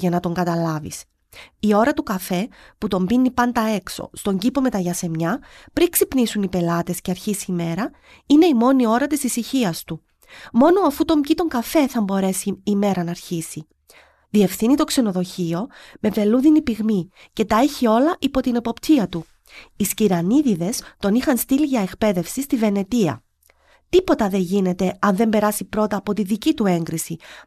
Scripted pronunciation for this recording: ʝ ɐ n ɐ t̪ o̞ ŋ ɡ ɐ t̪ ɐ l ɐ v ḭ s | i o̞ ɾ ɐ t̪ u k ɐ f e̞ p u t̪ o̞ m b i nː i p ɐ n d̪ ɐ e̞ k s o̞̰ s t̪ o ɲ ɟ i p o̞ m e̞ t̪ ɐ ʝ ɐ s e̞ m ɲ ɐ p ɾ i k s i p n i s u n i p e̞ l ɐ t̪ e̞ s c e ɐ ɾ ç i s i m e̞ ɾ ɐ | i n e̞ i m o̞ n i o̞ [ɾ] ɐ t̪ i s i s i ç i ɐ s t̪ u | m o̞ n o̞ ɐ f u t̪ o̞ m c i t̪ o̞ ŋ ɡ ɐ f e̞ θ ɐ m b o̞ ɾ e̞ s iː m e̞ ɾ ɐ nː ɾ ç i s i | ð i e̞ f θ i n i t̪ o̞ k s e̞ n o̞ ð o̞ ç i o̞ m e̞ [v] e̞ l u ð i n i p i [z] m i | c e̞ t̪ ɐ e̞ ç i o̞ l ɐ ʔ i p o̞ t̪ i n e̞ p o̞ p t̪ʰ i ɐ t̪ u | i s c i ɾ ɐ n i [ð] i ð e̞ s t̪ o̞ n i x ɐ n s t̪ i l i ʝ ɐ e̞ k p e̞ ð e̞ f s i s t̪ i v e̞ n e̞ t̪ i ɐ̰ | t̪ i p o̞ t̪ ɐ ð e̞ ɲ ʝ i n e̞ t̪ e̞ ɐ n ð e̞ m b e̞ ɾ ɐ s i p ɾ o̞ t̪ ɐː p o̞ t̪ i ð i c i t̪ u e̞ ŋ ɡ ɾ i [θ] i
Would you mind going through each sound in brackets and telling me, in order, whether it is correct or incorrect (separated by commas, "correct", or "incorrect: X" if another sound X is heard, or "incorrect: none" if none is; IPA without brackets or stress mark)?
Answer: correct, correct, incorrect: ɣ, correct, incorrect: s